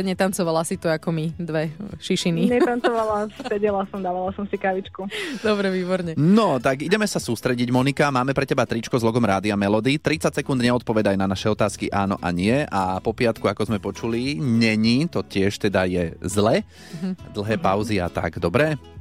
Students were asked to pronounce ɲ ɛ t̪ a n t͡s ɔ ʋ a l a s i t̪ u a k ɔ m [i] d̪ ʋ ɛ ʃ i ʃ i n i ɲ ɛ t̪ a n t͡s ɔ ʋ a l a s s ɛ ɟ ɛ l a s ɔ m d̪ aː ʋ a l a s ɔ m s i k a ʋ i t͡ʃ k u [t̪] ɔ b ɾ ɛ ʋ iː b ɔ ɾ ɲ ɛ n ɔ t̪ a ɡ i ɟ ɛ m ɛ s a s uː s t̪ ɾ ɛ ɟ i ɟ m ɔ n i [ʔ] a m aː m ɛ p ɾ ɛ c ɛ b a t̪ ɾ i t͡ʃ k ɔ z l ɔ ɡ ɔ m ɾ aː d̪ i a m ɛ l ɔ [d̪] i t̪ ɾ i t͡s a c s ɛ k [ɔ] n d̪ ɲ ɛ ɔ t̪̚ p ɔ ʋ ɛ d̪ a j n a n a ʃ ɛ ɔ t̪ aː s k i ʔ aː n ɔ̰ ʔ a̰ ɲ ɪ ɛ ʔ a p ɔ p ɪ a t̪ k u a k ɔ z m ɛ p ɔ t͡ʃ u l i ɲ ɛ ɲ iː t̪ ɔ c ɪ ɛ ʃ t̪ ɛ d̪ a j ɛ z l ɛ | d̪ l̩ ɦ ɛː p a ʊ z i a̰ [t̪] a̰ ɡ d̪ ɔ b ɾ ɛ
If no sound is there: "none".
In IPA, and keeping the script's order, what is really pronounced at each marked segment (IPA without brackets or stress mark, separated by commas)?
i, d̪, k, d̪, u, t̪